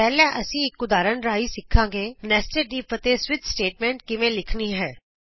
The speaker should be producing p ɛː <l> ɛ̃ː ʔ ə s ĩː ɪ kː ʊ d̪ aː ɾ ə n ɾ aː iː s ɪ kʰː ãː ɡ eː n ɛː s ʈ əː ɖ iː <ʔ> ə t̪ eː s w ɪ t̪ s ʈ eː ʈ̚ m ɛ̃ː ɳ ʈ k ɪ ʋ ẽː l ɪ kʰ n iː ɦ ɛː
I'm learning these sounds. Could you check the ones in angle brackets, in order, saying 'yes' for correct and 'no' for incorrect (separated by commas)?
yes, no